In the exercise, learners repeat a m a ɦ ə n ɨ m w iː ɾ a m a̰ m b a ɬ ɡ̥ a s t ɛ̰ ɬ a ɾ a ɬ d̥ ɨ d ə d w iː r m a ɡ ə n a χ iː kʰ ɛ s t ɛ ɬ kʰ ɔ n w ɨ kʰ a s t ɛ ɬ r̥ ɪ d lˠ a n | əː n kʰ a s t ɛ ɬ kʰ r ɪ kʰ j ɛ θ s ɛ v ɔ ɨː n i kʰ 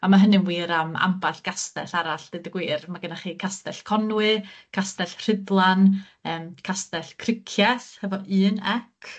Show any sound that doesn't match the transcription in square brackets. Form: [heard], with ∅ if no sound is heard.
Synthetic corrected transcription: a m a ɦ ə n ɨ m w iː ɾ a m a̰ m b a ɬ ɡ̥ a s t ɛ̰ ɬ a ɾ a ɬ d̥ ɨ d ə [ɡ] w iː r m a ɡ ə n a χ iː kʰ [a] s t ɛ ɬ kʰ ɔ n w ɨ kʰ a s t ɛ ɬ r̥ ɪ d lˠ a n | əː [m] kʰ a s t ɛ ɬ kʰ r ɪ kʰ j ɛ θ [h] ɛ v ɔ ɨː n [ɛ] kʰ